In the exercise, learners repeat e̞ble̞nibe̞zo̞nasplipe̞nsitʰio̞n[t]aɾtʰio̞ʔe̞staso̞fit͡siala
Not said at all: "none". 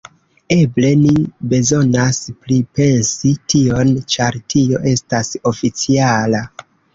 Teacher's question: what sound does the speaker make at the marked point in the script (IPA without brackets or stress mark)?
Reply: t͡ʃ